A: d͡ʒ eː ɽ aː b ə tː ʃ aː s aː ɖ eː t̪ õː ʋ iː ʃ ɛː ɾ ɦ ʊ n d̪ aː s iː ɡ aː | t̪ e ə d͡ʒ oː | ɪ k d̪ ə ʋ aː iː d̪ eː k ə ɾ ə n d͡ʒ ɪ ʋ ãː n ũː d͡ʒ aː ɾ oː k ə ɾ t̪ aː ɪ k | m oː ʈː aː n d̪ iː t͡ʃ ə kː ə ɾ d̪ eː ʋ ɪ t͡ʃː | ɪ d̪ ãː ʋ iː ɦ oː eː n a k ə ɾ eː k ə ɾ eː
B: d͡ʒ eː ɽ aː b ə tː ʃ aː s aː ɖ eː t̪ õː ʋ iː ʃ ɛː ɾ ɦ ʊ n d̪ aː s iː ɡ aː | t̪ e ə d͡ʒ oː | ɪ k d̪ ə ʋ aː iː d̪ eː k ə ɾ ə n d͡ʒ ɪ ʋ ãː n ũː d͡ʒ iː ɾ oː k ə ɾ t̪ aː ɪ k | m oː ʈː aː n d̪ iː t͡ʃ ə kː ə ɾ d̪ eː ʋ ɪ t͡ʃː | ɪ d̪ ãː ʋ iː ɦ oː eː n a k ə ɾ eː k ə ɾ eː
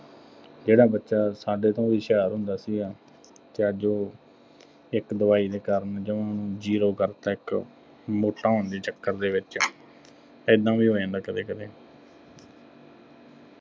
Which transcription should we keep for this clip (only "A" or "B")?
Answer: B